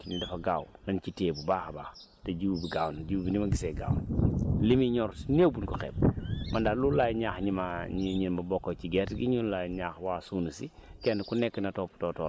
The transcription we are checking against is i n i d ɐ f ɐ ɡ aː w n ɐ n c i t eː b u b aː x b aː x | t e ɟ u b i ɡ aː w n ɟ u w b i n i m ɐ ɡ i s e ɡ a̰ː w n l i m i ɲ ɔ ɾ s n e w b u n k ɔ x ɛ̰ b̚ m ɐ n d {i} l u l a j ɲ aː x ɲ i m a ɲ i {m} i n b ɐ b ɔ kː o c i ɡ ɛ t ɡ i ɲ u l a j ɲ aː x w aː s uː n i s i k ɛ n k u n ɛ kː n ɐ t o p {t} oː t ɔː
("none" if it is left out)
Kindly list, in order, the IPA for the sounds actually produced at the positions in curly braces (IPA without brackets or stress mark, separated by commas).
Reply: a, ɲ, t